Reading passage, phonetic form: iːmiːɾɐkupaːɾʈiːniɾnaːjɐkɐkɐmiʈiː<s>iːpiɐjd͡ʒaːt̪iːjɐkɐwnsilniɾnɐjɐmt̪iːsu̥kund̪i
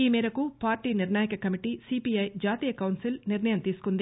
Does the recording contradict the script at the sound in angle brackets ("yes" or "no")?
no